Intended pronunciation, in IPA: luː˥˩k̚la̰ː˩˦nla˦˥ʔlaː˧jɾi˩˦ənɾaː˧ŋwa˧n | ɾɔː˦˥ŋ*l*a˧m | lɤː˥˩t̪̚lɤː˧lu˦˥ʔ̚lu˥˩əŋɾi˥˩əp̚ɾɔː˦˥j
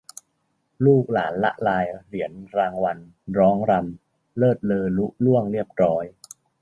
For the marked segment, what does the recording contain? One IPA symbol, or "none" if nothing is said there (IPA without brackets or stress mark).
ɾ